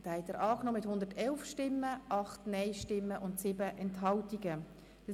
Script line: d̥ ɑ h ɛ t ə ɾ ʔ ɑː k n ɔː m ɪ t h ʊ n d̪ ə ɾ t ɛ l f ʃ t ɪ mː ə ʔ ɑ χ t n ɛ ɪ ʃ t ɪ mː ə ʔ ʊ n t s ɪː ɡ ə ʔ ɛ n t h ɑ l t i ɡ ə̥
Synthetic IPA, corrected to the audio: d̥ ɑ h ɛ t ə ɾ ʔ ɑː k n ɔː m ɪ t h ʊ n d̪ ə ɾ t ɛ l f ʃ t ɪ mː ə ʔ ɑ χ t n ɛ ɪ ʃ t ɪ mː ə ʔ ʊ n t s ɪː b ə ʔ ɛ n t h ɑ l t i ɡ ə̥